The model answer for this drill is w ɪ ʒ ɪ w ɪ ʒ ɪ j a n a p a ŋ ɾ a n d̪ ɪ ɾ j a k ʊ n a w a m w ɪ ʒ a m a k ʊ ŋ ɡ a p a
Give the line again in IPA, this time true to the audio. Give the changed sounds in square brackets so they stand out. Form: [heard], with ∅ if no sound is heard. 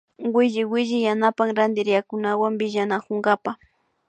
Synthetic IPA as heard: w ɪ ʒ ɪ w ɪ ʒ ɪ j a n a p a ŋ ɾ a n d̪ ɪ ɾ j a k ʊ n a w a m [b] ɪ ʒ a [n] a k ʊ ŋ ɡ a p a